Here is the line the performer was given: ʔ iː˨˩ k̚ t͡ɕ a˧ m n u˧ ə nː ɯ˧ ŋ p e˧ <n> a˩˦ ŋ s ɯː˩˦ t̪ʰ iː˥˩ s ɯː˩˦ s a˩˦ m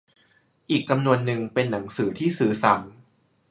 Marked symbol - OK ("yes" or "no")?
no